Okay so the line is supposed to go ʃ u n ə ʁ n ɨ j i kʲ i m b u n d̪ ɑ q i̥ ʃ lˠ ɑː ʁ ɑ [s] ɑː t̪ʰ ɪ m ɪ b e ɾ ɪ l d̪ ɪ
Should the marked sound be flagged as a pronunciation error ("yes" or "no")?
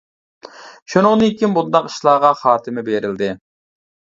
yes